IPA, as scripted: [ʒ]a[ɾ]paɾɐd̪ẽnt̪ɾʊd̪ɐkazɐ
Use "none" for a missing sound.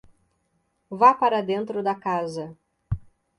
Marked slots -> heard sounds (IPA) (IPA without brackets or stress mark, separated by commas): v, none